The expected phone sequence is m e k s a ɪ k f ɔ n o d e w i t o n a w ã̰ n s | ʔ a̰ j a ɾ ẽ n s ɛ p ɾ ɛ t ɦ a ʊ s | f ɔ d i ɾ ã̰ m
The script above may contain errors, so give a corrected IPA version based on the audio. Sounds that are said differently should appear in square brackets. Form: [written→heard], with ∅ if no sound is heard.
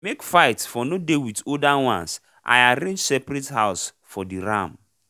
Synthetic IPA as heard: m e k [s→f] a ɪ [k→t] f ɔ n o d e w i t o [n→d] a w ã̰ n s | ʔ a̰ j a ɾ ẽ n s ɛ p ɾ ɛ t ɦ a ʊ s | f ɔ d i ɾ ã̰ m

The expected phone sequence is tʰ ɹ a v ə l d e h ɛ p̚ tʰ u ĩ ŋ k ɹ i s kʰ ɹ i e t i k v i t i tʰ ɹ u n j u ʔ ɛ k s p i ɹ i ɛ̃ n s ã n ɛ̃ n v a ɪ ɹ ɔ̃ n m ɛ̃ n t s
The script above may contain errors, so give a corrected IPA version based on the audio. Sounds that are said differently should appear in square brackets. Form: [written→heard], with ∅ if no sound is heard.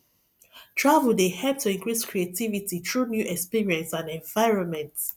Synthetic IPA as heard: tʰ ɹ a v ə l d e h ɛ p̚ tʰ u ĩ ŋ k ɹ i s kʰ ɹ i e t i [k→∅] v i t i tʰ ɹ u n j u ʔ ɛ k s p i ɹ i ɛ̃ n s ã n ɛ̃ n v a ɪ ɹ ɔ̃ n m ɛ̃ n t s

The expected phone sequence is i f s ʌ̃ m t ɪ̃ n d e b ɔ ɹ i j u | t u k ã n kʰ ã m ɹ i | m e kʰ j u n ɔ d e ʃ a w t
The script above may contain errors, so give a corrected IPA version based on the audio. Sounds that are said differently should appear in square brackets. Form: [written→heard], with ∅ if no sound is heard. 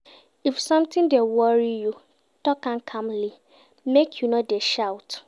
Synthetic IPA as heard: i f s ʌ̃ m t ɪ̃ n d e [b→w] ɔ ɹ i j u | t [u→ɔ] k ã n kʰ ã m [ɹ→l] i | m e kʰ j u n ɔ d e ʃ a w t

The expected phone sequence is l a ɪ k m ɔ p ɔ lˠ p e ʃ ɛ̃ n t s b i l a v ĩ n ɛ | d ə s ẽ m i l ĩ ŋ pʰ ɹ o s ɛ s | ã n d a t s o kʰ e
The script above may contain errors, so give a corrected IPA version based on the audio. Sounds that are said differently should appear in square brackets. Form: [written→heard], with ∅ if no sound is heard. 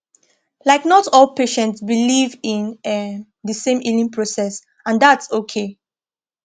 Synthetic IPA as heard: l a ɪ k [m→n] ɔ [p→t] ɔ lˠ p e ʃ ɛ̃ n t s b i l [a→i] v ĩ n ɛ | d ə s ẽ m i l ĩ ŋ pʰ ɹ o s ɛ s | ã n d a t s o kʰ e

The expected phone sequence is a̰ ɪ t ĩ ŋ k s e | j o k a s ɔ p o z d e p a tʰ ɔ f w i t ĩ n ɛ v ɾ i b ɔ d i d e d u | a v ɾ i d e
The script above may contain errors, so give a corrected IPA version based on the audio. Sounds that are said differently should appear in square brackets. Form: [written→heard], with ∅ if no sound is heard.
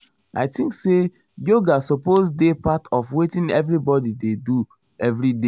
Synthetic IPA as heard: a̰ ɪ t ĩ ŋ k s e | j o [k→ɡ] a s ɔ p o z d e p a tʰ ɔ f w [i→e] t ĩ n ɛ v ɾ i b ɔ d i d e d u | [a→ɛ] v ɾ i d e

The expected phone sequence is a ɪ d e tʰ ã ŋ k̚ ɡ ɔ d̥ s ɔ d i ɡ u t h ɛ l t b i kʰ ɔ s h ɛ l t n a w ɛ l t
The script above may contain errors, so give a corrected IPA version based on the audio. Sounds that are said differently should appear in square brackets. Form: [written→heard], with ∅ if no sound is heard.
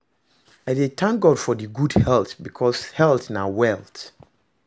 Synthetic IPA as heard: a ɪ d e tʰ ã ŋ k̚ ɡ ɔ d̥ [s→f] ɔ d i ɡ u [t→d] h ɛ l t b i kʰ ɔ s h ɛ l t n a w ɛ l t

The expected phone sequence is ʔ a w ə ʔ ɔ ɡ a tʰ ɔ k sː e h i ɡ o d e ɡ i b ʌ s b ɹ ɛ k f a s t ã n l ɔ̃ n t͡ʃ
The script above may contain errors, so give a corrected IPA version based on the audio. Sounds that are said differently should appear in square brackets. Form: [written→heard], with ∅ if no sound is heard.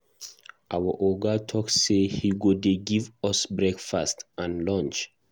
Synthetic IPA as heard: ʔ a w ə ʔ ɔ ɡ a tʰ ɔ k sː e h i ɡ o d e ɡ i [b→v] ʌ s b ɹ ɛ k f a s t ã n l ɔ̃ n t͡ʃ

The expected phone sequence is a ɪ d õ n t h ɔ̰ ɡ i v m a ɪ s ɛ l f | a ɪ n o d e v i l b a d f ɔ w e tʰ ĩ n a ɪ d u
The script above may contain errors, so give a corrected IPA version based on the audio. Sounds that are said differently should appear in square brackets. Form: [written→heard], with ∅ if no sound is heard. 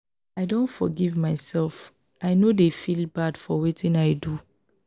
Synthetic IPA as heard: a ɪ d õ n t [h→f] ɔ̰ ɡ i v m a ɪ s ɛ l f | a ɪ n o d e [v→f] i l b a d f ɔ w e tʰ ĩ n a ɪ d u

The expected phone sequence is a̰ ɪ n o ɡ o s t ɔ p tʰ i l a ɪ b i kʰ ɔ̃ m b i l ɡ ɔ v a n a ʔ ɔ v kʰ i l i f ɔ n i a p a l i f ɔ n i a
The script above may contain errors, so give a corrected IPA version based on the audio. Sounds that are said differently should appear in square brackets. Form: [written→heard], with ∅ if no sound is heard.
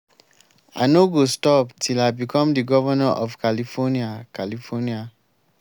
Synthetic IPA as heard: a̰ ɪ n o ɡ o s t ɔ p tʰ i l a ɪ b i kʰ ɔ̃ m [b→d] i [l→∅] ɡ ɔ v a n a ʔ ɔ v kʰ [i→a] l i f ɔ n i a [p→k] a l i f ɔ n i a

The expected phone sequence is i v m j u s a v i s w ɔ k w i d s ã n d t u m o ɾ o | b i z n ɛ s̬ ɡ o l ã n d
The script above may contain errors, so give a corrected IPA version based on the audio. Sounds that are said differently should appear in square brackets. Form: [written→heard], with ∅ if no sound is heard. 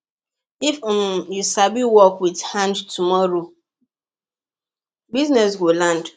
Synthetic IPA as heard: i [v→f] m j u s a [v→b] i [s→∅] w ɔ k w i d [s→h] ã n d t u m [o→ɔ] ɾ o | b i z n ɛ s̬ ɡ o l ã n d

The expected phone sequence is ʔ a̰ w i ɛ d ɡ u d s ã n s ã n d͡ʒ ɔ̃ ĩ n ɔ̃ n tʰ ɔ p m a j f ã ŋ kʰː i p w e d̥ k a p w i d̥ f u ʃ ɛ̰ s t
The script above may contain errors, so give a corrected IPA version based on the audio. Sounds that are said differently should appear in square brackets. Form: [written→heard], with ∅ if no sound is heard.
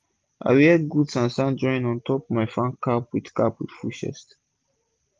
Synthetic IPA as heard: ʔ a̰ w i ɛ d ɡ u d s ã n s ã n d͡ʒ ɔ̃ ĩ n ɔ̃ n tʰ ɔ p m a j f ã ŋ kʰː [i→a] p w [e→i] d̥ k a p w i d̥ f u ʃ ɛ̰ s t

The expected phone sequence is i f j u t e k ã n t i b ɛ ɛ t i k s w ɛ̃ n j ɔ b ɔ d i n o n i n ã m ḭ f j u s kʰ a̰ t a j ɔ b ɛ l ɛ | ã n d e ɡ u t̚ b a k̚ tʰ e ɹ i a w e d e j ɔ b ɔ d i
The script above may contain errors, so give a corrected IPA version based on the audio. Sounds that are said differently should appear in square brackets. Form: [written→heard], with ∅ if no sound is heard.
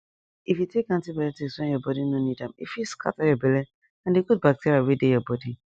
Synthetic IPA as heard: i f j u t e k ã n t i b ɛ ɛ t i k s w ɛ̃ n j ɔ b ɔ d i n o n i [n→d] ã m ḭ f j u s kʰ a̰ t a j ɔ b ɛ l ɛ | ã n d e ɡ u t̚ b a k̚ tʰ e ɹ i a w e d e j ɔ b ɔ d i

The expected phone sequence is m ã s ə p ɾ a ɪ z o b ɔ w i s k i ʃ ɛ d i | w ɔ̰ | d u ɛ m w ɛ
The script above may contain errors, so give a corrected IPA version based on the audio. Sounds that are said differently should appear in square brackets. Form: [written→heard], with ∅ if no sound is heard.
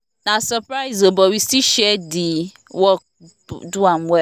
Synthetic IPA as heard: [m→n] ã s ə p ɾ a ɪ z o b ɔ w i s [k→t] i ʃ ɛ d i | w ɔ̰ | d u [ɛ→a] m w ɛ

